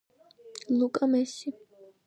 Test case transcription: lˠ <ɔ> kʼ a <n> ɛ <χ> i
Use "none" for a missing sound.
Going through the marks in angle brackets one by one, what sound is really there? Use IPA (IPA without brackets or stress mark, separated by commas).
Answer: u, m, s